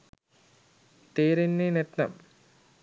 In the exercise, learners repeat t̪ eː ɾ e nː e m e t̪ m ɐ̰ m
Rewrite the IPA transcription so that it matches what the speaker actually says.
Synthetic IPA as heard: t̪ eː ɾ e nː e n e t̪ n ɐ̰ m